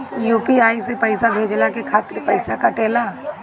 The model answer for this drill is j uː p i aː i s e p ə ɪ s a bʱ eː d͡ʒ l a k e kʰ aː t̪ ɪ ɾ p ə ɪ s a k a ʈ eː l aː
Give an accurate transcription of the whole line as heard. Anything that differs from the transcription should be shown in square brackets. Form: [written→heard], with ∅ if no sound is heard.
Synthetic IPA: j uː p i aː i s e p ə ɪ s a bʱ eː d͡ʒ l a k e kʰ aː t̪ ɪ ɾ p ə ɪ s a k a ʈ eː l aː